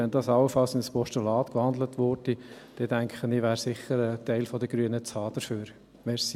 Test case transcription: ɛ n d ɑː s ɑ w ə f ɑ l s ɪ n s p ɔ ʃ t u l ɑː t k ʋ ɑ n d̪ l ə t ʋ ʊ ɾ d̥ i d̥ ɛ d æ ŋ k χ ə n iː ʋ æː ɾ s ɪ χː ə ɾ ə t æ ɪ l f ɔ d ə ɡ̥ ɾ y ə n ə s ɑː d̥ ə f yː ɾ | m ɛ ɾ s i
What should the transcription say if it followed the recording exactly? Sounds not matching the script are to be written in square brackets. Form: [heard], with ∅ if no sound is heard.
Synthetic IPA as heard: ɛ n d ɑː s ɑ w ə f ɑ l s ɪ n s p ɔ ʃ t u l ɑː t k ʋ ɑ n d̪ l ə t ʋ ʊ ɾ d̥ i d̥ ɛ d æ ŋ k χ ə n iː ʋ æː ɾ s ɪ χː ə ɾ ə t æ ɪ l f ɔ d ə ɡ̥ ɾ y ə n ə [t͡s] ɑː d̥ ə f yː ɾ | m ɛ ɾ s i